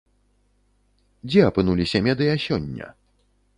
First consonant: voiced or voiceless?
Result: voiced